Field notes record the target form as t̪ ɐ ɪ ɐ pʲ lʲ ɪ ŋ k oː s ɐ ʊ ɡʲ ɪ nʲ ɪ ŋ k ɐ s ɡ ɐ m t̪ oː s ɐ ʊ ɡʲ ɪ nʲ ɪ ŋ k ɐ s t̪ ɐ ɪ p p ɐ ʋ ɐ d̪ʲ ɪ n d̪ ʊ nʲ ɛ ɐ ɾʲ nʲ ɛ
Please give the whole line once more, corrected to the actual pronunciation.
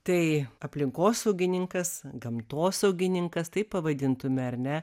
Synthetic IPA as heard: t̪ ɐ ɪ ɐ pʲ lʲ ɪ ŋ k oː s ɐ ʊ ɡʲ ɪ nʲ ɪ ŋ k ɐ s ɡ ɐ m t̪ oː s ɐ ʊ ɡʲ ɪ nʲ ɪ ŋ k ɐ s t̪ ɐ ɪ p p ɐ ʋ ɐ d̪ʲ ɪ n t̪ ʊ mʲ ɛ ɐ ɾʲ nʲ ɛ